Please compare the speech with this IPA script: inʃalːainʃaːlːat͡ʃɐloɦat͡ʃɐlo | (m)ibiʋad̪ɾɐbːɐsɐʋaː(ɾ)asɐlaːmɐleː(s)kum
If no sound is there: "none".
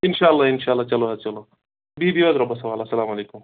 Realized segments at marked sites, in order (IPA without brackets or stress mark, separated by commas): b, l, none